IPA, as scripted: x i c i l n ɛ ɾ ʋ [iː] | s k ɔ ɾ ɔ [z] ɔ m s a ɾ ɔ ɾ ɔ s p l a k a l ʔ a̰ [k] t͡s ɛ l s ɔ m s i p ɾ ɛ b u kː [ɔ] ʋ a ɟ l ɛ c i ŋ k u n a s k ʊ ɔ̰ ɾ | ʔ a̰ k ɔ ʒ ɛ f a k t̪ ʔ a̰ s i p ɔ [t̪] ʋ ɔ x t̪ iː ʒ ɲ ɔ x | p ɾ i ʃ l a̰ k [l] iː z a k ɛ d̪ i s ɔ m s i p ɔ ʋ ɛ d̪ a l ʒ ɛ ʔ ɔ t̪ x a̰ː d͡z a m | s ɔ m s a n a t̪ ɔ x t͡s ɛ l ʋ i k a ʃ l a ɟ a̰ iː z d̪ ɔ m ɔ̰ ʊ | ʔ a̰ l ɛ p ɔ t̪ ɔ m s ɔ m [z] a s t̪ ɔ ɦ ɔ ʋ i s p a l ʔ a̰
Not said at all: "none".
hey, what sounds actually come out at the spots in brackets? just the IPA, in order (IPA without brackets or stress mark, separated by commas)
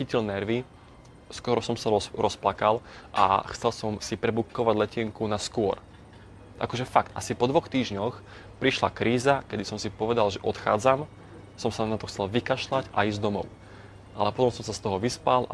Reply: i, s, x, ɔ, d̪, ɾ, s